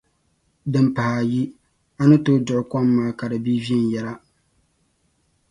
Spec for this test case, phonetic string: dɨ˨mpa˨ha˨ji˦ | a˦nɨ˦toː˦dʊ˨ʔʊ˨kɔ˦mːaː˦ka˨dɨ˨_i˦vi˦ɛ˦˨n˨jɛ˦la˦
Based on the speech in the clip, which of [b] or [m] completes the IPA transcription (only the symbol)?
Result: b